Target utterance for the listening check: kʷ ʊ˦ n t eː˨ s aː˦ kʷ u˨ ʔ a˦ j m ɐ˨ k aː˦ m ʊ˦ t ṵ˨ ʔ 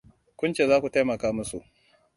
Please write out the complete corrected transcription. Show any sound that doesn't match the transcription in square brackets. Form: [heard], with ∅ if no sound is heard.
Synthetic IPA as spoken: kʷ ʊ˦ n [t͡ʃ] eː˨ [z] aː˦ kʷ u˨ [t] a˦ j m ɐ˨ k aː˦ m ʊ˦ [s] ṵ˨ ʔ